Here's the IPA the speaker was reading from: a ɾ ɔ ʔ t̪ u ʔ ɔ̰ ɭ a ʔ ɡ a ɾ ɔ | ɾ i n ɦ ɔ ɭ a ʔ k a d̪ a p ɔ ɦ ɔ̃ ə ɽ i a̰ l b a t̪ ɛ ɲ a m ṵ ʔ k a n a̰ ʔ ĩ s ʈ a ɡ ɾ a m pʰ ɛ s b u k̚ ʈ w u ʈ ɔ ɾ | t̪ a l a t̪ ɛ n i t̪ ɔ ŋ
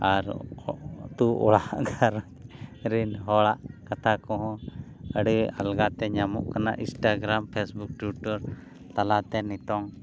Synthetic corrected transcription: a ɾ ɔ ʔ t̪ u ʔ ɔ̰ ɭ a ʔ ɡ a ɾ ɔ | ɾ i n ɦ ɔ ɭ a ʔ k a t̪ a k ɔ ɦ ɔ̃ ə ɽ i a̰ l ɡ a t̪ ɛ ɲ a m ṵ ʔ k a n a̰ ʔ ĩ s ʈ a ɡ ɾ a m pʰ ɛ s b u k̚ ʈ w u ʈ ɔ ɾ | t̪ a l a t̪ ɛ n i t̪ ɔ ŋ